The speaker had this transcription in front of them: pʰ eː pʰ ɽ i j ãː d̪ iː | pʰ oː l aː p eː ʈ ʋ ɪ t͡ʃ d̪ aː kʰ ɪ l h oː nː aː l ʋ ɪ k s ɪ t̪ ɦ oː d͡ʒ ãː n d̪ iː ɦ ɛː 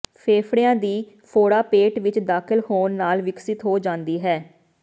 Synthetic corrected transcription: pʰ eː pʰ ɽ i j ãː d̪ iː | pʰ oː ɽ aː p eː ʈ ʋ ɪ t͡ʃ d̪ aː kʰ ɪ l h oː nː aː l ʋ ɪ k s ɪ t̪ ɦ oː d͡ʒ ãː n d̪ iː ɦ ɛː